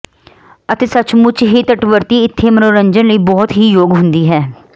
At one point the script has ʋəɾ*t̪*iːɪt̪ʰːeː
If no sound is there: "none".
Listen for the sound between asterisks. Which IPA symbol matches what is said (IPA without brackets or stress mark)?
t̪